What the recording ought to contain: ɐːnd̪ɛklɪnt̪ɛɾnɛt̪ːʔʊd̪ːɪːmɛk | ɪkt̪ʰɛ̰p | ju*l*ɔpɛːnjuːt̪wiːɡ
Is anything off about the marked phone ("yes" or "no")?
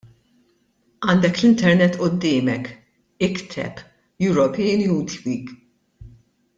yes